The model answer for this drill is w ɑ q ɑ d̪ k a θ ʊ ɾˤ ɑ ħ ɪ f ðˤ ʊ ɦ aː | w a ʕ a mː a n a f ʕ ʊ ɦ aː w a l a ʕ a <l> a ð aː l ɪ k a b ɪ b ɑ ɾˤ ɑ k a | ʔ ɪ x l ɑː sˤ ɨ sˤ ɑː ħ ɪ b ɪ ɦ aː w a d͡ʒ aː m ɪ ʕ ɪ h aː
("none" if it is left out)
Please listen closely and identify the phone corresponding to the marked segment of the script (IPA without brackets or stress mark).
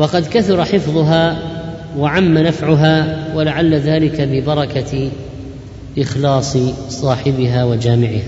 lː